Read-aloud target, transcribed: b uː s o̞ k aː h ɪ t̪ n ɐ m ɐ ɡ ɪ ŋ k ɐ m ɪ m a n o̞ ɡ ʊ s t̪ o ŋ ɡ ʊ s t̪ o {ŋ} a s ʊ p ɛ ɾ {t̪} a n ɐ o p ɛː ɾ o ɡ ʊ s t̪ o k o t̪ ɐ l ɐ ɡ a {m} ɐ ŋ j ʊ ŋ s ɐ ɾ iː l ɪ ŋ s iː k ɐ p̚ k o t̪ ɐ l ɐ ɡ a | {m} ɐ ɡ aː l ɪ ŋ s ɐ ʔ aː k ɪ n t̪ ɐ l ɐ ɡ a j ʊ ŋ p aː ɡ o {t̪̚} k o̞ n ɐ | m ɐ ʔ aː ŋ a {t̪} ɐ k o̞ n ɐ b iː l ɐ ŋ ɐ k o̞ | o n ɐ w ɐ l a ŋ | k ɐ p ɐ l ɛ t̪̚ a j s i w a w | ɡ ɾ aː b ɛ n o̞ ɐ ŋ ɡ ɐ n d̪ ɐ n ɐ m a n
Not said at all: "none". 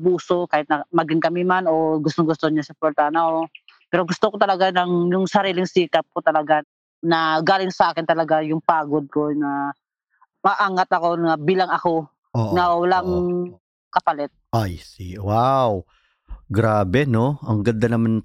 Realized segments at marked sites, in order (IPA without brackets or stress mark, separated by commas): ɲ, t̪, n, n, d̪̚, t̪